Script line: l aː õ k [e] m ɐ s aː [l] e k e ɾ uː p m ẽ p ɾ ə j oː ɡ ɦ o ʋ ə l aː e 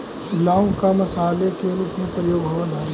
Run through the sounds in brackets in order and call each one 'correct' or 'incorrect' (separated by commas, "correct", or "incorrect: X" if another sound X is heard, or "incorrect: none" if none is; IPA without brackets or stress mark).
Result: incorrect: a, correct